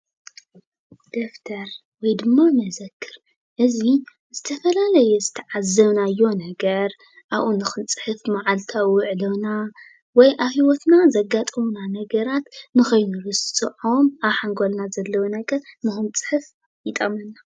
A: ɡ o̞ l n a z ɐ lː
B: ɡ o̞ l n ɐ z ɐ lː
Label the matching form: A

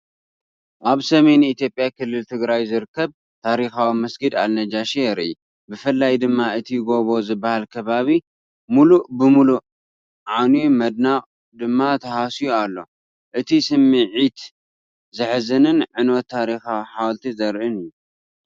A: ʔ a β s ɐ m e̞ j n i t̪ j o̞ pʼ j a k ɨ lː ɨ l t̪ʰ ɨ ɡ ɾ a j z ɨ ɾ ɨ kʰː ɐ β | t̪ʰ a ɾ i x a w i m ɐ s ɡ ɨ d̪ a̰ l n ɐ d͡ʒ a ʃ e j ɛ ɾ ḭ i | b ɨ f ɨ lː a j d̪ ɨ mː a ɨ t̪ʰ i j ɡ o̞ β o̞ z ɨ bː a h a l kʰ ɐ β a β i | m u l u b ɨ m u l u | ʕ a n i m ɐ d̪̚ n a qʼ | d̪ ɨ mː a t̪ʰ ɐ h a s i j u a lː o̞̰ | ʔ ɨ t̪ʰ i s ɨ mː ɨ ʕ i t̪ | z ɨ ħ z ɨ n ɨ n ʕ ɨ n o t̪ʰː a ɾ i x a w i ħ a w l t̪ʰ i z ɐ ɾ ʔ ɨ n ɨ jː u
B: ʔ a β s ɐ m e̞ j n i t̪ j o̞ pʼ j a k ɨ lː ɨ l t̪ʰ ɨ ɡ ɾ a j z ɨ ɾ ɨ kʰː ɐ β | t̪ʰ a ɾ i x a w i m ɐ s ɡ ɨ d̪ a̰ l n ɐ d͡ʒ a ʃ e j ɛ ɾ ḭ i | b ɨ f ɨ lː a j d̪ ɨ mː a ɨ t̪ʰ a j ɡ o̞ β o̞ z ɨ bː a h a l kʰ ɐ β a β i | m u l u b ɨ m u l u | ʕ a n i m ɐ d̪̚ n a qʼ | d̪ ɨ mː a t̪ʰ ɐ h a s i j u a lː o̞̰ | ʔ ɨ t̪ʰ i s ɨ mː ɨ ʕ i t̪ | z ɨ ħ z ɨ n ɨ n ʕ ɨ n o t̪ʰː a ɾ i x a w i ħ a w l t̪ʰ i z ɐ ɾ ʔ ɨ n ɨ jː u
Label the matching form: A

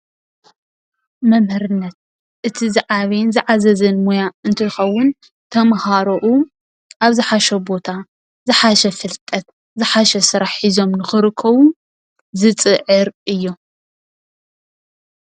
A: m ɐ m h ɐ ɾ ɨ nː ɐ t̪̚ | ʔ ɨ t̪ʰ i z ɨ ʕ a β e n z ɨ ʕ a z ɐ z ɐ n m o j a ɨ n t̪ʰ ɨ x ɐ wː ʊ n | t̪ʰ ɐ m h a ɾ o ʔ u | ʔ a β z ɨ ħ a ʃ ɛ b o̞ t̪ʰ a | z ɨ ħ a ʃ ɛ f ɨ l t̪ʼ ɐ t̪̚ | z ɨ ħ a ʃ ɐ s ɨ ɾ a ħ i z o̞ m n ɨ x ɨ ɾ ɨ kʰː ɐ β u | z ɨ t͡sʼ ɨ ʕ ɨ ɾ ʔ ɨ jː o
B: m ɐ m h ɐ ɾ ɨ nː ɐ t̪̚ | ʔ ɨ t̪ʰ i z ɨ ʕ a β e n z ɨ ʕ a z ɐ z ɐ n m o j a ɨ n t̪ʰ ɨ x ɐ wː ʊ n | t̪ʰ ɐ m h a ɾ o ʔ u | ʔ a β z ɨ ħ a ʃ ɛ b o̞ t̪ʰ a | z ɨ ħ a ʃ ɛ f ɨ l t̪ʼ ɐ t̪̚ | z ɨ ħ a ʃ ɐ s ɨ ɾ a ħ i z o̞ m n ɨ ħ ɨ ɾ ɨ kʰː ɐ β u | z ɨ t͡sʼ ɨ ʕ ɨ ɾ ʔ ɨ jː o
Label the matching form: A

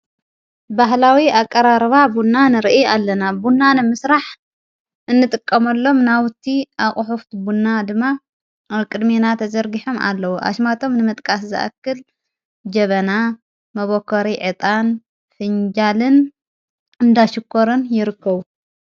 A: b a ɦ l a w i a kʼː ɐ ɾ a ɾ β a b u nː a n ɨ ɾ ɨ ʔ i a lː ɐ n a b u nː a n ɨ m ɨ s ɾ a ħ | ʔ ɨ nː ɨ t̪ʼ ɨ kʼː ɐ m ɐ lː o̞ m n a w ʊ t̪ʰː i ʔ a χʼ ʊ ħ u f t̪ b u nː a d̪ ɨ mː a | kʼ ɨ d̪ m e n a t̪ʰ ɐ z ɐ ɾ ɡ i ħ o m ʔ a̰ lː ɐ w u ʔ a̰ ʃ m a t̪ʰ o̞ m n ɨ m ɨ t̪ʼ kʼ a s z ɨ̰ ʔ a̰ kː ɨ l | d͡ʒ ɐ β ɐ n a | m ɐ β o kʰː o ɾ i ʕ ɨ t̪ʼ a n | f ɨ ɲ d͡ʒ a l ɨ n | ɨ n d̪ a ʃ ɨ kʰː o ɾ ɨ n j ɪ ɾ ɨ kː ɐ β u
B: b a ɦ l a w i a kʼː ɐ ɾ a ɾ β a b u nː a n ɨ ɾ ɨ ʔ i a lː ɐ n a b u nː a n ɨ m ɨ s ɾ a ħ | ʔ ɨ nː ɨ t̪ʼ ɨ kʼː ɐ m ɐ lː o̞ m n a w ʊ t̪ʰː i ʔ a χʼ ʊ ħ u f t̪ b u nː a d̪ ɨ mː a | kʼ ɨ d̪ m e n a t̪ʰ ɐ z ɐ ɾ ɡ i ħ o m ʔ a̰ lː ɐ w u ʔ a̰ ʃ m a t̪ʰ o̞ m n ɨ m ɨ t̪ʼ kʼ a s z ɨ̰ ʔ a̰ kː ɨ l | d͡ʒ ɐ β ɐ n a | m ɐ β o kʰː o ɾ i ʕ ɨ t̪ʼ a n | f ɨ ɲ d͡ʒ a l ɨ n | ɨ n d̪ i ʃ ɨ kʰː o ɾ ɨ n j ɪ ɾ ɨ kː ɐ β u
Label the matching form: A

